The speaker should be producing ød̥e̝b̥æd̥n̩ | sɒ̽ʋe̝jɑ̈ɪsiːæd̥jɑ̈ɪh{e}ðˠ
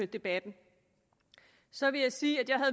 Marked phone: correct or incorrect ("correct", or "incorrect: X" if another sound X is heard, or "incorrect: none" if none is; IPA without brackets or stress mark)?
incorrect: æ